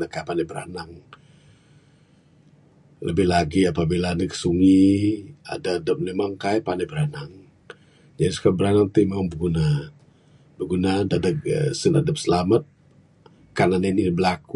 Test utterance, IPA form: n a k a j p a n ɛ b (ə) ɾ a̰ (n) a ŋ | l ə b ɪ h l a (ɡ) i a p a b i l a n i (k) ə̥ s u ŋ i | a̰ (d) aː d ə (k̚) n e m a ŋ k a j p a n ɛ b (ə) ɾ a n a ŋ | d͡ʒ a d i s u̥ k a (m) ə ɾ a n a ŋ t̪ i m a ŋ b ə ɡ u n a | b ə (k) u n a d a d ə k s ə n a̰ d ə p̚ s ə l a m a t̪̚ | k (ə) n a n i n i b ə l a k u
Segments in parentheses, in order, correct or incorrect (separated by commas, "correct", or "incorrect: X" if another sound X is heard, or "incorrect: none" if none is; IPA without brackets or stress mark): correct, correct, correct, correct, correct, incorrect: p̚, correct, incorrect: b, incorrect: ɡ, incorrect: a